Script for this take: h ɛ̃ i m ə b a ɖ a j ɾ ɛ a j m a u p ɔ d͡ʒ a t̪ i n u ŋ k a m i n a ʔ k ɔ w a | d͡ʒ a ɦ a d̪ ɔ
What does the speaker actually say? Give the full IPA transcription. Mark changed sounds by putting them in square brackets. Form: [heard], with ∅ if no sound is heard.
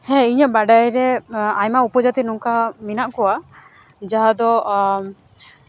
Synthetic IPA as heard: h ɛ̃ i [ɲ] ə b a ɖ a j ɾ ɛ a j m a u p ɔ d͡ʒ a t̪ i n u ŋ k a m i n a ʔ k ɔ w a | d͡ʒ a ɦ a d̪ ɔ